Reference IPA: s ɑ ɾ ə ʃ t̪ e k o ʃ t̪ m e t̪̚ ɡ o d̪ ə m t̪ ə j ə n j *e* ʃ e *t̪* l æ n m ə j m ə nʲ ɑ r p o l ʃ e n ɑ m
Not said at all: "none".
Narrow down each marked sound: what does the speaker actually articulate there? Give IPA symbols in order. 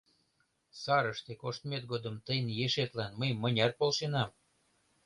e, t̪

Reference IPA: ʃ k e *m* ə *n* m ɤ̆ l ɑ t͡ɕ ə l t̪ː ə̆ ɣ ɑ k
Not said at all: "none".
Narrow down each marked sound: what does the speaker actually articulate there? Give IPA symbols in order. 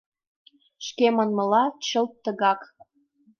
m, n

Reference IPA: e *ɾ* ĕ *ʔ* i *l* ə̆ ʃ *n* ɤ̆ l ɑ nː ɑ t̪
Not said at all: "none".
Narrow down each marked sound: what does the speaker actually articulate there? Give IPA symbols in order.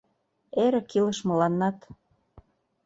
ɾ, k, l, m

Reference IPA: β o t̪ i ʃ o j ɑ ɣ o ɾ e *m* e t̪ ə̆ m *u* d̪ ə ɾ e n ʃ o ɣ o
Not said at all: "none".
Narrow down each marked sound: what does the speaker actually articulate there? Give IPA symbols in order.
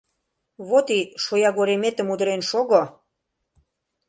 m, u

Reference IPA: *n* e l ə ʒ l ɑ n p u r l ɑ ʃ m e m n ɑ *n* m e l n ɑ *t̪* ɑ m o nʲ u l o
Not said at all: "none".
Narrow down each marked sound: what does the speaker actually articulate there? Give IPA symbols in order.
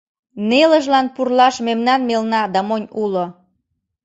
n, n, d̪

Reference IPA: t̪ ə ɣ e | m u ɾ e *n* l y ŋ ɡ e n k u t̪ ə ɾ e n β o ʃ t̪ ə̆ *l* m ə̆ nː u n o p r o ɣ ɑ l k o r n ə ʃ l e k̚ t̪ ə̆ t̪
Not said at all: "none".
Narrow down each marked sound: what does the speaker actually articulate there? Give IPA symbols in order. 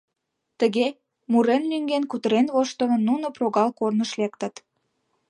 n, none

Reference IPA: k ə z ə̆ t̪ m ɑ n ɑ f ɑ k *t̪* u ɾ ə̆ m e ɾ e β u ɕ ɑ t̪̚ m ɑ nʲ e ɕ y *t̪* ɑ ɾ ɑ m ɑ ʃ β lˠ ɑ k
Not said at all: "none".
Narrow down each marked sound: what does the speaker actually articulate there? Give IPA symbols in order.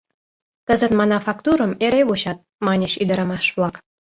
t̪, d̪

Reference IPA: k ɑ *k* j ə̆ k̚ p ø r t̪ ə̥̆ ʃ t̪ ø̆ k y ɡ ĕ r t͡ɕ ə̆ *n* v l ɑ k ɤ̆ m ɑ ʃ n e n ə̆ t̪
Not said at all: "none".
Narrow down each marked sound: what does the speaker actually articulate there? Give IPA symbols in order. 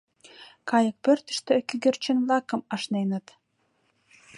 none, n

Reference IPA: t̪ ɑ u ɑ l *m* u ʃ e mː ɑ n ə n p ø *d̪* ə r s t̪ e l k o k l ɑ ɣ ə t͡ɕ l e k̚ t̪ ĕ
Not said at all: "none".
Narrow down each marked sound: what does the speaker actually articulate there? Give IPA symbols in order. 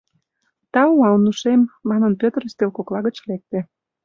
n, t̪

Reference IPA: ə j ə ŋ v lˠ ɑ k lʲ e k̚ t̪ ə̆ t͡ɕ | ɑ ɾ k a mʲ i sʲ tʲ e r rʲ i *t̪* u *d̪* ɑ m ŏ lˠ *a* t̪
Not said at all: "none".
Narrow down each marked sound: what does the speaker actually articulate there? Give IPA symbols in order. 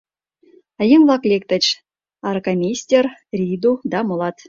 d̪, d̪, ɑ

